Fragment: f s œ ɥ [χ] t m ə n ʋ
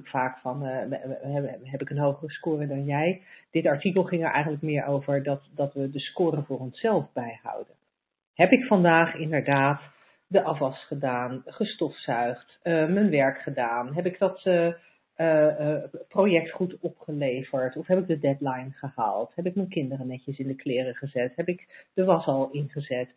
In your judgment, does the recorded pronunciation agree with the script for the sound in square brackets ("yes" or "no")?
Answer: yes